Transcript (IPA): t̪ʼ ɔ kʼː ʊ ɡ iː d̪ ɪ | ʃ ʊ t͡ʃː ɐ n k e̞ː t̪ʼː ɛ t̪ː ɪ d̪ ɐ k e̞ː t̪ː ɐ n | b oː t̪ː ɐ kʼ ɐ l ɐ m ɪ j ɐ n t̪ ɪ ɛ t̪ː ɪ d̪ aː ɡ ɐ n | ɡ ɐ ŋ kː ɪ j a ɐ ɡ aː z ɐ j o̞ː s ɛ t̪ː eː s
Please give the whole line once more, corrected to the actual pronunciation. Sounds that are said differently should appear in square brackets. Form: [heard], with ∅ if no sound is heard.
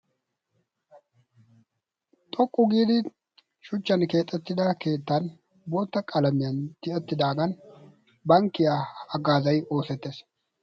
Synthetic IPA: t̪ʼ ɔ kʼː ʊ ɡ iː d̪ ɪ | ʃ ʊ t͡ʃː ɐ n k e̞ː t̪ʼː ɛ t̪ː ɪ d̪ ɐ k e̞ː t̪ː ɐ n | b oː t̪ː ɐ kʼ ɐ l ɐ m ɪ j ɐ n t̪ ɪ ɛ t̪ː ɪ d̪ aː ɡ ɐ n | [b] ɐ ŋ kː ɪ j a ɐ ɡ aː z ɐ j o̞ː s ɛ t̪ː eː s